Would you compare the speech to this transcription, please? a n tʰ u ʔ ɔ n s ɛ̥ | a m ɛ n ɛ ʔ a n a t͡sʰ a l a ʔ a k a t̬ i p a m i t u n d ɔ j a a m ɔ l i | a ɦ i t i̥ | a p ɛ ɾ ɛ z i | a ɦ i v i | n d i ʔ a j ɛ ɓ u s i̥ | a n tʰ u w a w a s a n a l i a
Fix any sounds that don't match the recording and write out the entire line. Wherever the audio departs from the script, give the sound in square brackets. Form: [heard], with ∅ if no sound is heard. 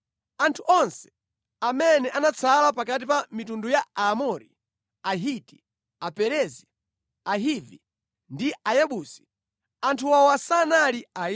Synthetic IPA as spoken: a n tʰ u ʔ ɔ n s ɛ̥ | a m ɛ n ɛ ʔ a n a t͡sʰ a l a [p] a k a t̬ i p a m i t u n d [u] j a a m ɔ [ɾ] i | a ɦ i t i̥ | a p ɛ ɾ ɛ z i | a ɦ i v i | n d i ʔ a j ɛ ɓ u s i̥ | a n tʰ u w a w a s a n a l i a

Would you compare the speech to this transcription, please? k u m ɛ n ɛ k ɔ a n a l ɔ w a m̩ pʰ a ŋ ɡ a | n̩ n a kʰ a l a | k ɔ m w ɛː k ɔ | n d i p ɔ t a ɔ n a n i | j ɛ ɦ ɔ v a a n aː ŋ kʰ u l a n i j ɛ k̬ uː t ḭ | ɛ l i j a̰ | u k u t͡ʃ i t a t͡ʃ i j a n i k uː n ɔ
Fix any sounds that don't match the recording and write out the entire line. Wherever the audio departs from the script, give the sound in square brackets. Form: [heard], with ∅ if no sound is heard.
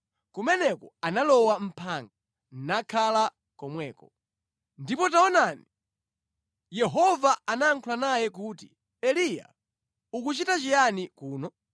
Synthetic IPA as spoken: k u m ɛ n ɛ k ɔ a n a l ɔ w a m̩ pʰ a ŋ ɡ a | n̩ n a kʰ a l a | k ɔ m w ɛː k ɔ | n d i p ɔ t a ɔ n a n i | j ɛ ɦ ɔ v a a n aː ŋ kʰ u l a n [a] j ɛ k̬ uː t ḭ | ɛ l i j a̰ | u k u t͡ʃ i t a t͡ʃ i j a n i k uː n ɔ

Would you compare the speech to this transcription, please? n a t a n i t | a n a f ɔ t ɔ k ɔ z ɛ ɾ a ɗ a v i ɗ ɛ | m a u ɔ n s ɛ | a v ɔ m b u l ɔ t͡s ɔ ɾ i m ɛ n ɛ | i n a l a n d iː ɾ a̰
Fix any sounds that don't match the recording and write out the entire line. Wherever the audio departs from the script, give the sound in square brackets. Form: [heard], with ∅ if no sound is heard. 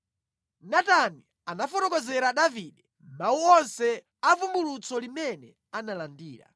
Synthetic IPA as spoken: n a t a n i [∅] | a n a f ɔ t ɔ k ɔ z ɛ ɾ a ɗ a v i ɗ ɛ | m a u ɔ n s ɛ | a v [u] m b u l [u] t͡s ɔ [l] i m ɛ n ɛ | [a] n a l a n d iː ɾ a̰

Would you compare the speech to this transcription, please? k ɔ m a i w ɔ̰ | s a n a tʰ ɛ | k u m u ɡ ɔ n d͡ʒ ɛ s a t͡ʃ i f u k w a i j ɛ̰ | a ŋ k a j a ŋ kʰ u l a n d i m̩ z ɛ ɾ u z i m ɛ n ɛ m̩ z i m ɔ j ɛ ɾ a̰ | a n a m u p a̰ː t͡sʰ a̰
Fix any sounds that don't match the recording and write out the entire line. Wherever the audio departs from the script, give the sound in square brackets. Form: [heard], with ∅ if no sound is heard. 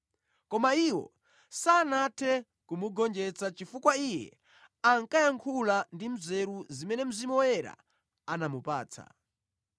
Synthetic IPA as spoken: k ɔ m a i w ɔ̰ | s a n a tʰ ɛ | k u m u ɡ ɔ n d͡ʒ ɛ [t͡s] a t͡ʃ i f u k w a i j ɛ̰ | a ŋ k a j a ŋ kʰ u l a n d i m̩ z ɛ ɾ u z i m ɛ n ɛ m̩ z i m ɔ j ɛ ɾ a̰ | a n a m u p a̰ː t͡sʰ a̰

